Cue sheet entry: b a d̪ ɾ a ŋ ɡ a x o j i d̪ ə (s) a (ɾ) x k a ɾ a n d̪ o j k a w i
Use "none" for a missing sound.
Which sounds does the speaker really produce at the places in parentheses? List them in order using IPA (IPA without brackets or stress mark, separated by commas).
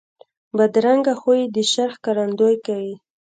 ʃ, ɾ